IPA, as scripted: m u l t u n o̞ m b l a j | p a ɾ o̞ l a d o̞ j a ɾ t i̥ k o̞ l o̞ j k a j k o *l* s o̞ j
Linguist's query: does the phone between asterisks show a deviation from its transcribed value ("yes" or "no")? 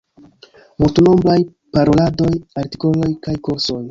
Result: yes